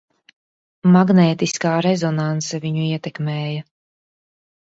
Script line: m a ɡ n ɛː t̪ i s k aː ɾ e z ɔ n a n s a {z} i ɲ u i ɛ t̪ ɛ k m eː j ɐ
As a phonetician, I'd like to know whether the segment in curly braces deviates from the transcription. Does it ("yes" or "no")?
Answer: yes